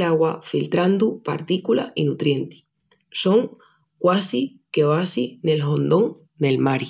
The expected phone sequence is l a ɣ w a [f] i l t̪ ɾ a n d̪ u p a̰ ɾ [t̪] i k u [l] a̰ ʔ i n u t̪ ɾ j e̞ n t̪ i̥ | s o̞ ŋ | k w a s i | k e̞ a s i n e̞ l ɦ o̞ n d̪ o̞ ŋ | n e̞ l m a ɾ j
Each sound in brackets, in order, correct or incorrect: correct, correct, correct

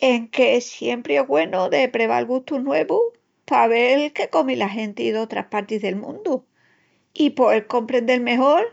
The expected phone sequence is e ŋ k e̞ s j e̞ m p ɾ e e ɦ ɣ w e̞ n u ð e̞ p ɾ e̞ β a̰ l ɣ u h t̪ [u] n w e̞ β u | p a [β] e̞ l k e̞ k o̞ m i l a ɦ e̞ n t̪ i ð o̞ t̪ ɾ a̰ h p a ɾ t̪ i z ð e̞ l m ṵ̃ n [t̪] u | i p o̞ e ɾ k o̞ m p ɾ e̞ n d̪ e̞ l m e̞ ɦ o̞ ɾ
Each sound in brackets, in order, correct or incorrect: correct, correct, incorrect: d̪

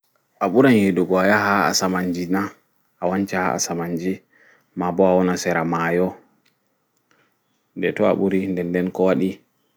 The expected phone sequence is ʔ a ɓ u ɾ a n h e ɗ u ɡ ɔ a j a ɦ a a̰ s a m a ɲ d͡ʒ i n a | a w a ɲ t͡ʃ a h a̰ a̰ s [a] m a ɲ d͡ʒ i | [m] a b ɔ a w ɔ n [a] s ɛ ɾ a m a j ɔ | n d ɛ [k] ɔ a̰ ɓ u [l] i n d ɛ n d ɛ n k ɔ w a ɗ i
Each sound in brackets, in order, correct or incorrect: correct, correct, correct, incorrect: t, incorrect: ɾ

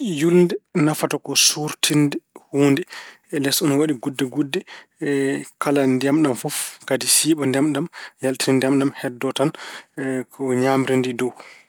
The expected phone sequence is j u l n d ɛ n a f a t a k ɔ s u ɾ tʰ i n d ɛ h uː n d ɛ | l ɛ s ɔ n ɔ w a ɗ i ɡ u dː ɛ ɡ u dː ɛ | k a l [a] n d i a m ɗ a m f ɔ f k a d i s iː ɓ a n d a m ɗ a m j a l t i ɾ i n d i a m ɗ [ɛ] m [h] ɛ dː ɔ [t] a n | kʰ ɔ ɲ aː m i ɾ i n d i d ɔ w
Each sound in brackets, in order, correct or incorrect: correct, incorrect: a, correct, correct

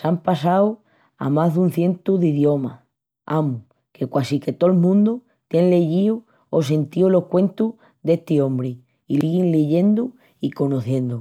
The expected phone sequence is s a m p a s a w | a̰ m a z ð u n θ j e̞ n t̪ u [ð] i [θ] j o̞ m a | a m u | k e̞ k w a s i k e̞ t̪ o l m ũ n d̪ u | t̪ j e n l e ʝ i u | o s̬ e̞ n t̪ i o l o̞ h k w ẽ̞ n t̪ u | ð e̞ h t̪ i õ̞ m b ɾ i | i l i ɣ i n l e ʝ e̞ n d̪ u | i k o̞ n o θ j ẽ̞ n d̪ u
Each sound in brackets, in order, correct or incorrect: correct, incorrect: ð

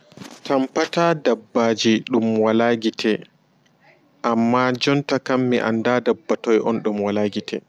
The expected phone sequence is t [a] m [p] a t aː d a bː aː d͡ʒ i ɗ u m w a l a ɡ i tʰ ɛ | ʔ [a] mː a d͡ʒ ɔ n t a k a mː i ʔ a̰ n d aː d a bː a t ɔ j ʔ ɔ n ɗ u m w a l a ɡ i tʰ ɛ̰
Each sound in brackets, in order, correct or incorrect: correct, correct, correct

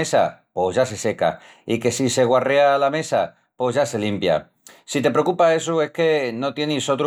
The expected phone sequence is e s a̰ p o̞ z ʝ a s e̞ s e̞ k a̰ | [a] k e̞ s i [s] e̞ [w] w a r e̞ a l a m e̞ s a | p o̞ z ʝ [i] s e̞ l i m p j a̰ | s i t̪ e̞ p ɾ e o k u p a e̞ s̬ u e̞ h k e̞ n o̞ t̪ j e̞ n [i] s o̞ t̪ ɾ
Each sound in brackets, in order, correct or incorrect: incorrect: i, correct, incorrect: ɣ, incorrect: a, correct

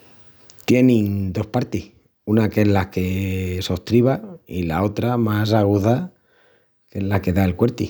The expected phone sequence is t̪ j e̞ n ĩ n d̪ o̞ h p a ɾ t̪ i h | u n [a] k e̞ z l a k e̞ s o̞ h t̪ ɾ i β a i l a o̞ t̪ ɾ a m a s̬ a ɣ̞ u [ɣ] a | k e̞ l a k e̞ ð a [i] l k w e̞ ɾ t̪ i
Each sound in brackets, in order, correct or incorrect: correct, incorrect: ð, incorrect: e

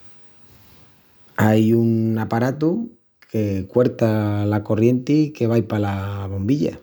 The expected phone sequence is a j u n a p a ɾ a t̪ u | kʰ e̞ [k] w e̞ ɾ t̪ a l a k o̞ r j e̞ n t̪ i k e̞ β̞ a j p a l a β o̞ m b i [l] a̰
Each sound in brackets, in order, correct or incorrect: correct, incorrect: ʎ

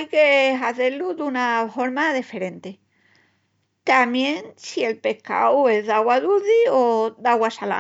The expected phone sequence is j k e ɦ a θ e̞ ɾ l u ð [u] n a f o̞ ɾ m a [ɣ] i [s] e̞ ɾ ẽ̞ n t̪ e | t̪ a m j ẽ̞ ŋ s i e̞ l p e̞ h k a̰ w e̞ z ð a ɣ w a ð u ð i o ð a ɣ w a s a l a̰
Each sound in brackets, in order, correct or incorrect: correct, incorrect: ð, incorrect: f

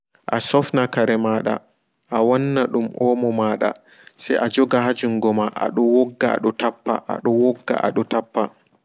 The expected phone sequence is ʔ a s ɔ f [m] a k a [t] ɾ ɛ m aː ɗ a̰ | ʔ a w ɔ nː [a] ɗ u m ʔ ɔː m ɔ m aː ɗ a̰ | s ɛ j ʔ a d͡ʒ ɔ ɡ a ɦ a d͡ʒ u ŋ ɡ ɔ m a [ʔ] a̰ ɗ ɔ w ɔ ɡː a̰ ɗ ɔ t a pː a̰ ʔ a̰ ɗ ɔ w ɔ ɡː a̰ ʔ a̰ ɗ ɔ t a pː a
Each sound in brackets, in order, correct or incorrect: incorrect: n, incorrect: none, correct, correct

